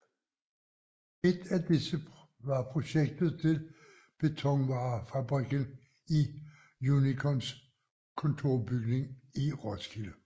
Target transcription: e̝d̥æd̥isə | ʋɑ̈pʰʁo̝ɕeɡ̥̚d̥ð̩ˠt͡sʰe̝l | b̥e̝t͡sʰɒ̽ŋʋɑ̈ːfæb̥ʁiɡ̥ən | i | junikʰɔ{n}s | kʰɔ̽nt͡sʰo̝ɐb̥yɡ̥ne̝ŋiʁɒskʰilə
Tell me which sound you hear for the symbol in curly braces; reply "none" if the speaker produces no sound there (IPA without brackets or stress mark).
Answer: n